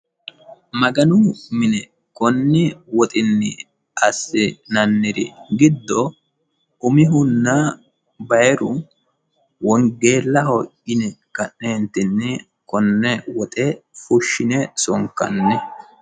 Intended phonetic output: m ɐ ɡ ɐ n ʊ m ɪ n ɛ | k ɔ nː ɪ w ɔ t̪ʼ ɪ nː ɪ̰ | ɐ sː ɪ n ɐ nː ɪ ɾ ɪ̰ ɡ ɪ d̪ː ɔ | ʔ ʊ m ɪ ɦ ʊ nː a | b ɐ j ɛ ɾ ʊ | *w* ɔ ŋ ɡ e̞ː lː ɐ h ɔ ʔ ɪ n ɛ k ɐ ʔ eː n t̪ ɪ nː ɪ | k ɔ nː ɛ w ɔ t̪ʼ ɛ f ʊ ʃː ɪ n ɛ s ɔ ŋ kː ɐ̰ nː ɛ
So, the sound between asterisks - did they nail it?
yes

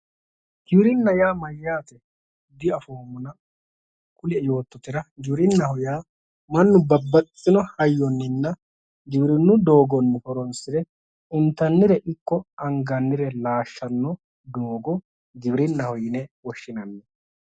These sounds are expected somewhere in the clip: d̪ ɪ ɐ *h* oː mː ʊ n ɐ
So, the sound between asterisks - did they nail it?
no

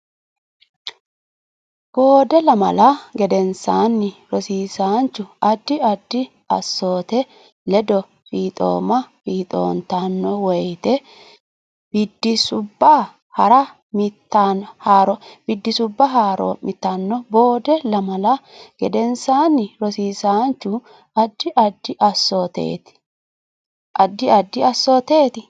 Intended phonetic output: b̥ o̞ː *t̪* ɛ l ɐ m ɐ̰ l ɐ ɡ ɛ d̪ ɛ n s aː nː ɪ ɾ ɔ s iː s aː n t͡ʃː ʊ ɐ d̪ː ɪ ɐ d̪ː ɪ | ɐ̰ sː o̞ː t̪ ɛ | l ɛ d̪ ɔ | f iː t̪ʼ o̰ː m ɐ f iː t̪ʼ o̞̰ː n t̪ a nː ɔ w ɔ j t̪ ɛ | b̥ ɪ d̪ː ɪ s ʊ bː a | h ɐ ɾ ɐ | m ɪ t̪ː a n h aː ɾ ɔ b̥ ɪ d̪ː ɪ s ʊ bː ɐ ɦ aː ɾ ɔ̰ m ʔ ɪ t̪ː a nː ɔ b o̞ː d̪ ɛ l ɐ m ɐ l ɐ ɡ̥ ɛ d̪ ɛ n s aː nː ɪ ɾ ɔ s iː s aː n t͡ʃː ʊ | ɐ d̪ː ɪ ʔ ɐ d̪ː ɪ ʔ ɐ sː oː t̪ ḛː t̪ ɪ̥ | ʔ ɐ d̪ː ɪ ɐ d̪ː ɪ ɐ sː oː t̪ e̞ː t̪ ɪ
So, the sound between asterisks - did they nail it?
no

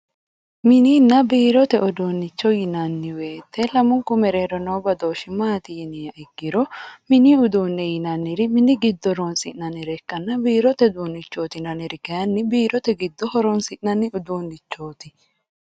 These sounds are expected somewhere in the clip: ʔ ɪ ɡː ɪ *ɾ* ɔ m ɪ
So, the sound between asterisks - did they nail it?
yes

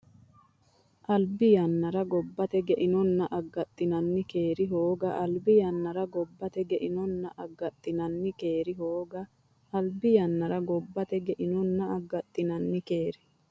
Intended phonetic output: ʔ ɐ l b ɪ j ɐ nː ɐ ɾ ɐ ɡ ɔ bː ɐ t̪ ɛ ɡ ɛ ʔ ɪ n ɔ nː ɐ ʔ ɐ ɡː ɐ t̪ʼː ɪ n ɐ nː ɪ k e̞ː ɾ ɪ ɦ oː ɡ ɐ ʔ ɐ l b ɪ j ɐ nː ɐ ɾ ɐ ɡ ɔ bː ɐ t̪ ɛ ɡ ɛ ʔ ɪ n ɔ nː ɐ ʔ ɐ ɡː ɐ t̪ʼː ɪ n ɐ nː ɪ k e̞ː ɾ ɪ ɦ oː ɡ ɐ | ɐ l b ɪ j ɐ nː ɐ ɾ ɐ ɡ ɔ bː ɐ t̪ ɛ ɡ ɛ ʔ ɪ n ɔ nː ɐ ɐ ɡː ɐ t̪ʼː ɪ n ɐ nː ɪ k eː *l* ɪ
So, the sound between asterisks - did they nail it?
no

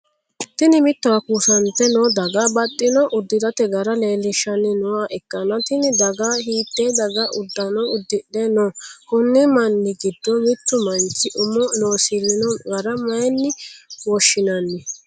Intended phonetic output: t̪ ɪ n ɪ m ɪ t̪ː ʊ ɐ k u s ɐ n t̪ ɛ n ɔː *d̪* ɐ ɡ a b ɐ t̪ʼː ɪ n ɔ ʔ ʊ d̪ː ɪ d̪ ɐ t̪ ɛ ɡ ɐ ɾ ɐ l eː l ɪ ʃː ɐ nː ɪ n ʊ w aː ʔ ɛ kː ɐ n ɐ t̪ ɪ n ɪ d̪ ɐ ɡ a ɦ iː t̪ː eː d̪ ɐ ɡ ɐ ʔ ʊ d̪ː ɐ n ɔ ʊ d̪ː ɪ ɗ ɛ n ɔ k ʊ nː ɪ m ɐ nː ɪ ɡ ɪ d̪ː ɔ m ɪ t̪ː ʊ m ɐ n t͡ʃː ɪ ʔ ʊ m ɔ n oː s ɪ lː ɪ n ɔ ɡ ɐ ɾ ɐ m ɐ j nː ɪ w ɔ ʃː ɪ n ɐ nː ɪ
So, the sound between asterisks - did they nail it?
yes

